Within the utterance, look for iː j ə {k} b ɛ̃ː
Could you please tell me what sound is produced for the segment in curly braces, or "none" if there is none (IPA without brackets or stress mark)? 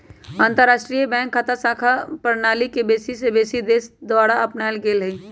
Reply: none